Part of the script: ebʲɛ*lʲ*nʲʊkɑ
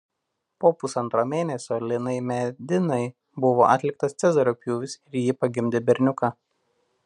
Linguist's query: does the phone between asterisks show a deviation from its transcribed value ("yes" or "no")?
yes